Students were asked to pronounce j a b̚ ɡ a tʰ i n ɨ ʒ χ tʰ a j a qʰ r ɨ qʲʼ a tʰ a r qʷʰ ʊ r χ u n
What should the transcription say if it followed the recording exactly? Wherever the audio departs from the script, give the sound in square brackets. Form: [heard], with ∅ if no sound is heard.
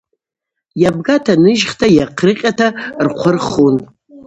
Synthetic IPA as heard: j a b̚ ɡ a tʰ [a] n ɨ ʒ χ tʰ a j a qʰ r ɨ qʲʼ a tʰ a r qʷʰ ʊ r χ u n